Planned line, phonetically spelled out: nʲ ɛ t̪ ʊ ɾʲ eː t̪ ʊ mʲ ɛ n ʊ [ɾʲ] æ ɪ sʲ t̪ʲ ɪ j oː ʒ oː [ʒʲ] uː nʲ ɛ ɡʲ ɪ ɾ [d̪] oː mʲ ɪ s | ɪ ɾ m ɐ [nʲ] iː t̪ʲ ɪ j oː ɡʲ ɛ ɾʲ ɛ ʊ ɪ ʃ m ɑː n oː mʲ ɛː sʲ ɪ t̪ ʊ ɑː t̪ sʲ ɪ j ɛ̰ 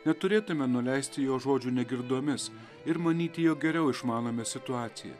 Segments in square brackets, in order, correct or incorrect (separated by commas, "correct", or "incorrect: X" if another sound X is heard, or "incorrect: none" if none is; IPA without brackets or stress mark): incorrect: lʲ, incorrect: d͡ʒʲ, correct, correct